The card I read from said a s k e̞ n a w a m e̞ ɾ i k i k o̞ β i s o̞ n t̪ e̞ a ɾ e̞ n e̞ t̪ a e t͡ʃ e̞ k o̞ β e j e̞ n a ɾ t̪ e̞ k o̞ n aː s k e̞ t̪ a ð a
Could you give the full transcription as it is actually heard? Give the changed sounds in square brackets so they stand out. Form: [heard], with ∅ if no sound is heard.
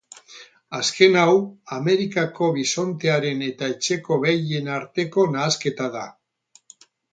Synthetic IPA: a s k e̞ n a w a m e̞ ɾ i k [a] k o̞ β i s o̞ n t̪ e̞ a ɾ e̞ n e̞ t̪ a e t͡ʃ e̞ k o̞ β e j e̞ n a ɾ t̪ e̞ k o̞ n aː s k e̞ t̪ a ð a